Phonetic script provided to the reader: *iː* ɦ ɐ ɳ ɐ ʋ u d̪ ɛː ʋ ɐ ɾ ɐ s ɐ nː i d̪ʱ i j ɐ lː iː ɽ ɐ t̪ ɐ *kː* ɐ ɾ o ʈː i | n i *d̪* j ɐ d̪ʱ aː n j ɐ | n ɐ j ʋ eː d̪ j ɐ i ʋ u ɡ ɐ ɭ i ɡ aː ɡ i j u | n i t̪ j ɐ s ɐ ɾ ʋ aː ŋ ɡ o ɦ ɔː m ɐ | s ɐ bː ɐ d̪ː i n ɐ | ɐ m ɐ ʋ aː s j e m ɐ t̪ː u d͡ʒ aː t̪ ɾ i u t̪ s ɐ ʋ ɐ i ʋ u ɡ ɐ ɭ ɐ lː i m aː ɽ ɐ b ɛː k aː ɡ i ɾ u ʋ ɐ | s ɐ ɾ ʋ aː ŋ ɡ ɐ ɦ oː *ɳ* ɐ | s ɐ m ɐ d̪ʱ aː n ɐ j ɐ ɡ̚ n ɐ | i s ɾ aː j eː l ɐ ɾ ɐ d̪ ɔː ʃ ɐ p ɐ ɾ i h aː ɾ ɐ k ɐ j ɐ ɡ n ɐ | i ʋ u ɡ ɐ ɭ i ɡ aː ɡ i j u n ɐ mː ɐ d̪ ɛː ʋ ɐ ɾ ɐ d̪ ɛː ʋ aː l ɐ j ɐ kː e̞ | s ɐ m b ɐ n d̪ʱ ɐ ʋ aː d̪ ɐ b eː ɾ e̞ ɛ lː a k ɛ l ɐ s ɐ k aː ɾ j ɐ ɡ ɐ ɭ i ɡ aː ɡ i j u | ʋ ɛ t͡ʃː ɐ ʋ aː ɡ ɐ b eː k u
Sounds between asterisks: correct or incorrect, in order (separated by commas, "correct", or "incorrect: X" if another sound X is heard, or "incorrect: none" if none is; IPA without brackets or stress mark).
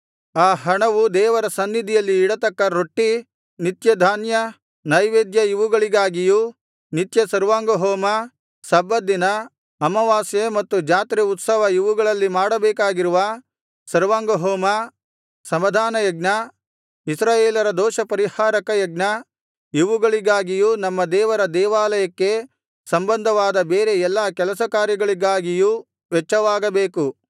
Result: incorrect: aː, correct, incorrect: t̪, incorrect: m